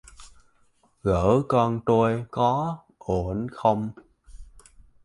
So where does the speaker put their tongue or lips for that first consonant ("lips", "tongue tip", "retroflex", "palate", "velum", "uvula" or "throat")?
velum